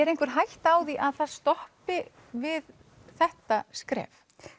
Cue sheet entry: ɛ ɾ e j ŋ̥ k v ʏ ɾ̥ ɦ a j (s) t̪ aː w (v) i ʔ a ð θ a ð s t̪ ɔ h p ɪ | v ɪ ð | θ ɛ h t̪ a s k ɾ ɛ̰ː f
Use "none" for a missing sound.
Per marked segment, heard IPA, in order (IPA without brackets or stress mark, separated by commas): h, ð